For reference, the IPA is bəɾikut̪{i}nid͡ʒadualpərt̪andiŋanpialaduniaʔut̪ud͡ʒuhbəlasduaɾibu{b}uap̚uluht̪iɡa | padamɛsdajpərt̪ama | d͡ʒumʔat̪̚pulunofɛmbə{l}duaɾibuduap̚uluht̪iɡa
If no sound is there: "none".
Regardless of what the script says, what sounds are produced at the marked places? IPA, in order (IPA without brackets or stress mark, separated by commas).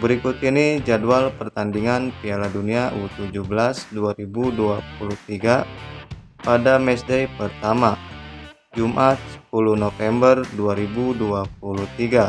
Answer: i, d, r